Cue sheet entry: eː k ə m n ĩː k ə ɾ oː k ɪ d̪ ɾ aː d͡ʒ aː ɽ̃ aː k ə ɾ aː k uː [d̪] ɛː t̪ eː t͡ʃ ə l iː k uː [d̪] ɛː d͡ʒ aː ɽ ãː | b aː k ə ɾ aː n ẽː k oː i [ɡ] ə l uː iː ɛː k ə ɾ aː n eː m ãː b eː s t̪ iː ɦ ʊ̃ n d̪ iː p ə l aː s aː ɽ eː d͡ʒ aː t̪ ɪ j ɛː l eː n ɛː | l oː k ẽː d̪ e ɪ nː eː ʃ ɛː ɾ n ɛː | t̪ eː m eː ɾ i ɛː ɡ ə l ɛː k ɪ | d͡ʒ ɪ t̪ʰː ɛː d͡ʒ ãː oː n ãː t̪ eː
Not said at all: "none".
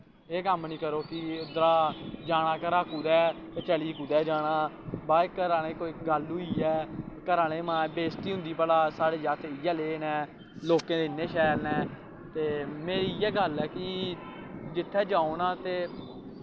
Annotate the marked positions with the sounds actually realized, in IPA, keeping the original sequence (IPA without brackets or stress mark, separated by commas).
d̪, d̪, ɡ